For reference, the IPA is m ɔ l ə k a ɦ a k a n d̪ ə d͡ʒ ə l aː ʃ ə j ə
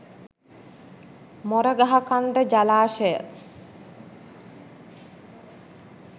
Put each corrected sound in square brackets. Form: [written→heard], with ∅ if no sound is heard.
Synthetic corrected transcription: m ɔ [l→ɾ] ə [k→ɡ] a ɦ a k a n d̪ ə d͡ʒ [ə→a] l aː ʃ ə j ə